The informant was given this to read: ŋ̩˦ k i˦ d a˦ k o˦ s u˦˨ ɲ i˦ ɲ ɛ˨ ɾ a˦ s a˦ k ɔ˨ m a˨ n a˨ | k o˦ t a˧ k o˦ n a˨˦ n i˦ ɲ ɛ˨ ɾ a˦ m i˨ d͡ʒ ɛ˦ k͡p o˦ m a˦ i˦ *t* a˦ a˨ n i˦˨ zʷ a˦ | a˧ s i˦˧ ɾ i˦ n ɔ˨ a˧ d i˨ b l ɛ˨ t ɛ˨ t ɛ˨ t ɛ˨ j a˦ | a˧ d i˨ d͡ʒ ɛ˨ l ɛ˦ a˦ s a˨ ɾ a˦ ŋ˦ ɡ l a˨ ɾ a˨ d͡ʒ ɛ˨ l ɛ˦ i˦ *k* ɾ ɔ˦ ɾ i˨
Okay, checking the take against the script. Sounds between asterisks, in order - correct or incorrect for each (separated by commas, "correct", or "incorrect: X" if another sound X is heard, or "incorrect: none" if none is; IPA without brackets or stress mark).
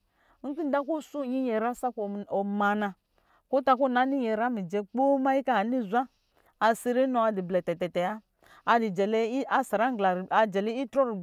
incorrect: k, incorrect: t